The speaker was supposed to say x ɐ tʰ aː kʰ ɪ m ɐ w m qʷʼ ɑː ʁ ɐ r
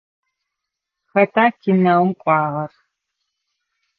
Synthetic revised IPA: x ɐ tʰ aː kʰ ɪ n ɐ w m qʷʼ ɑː ʁ ɐ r